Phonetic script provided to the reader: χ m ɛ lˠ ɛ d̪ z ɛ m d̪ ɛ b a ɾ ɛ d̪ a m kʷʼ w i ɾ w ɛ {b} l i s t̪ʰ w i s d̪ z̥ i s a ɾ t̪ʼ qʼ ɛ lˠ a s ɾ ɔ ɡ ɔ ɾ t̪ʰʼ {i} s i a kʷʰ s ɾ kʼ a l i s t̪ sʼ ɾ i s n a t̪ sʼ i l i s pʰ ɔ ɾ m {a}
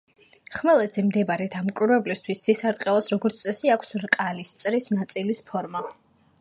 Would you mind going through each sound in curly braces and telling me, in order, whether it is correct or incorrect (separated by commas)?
correct, incorrect, correct